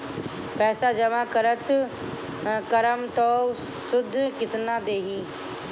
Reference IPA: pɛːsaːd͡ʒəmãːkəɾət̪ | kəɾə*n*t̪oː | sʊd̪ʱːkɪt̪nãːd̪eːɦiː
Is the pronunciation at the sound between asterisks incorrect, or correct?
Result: incorrect